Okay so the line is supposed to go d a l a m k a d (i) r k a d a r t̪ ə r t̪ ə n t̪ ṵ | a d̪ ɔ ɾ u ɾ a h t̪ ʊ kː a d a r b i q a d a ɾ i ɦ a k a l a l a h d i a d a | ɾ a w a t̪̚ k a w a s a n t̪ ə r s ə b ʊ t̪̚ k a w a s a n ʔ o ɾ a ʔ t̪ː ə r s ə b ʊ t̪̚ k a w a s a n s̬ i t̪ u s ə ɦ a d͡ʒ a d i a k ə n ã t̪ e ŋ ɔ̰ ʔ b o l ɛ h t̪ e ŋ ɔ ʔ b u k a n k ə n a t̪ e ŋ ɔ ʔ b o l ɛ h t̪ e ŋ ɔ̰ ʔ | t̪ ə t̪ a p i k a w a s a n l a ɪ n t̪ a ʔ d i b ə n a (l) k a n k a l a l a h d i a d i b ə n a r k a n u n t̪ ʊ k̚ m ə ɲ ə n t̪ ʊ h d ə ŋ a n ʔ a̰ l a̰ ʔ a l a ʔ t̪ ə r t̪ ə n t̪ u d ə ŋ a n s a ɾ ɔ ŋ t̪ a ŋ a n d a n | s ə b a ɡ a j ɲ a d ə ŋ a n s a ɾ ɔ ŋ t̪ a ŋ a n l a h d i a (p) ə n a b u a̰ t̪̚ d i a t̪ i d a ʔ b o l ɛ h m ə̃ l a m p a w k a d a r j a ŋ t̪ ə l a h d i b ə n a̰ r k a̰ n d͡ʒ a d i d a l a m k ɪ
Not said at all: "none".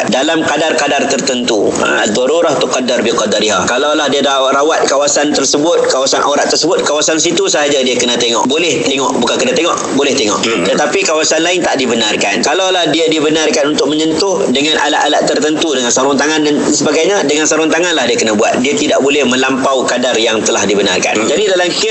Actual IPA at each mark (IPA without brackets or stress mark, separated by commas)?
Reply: a, r, k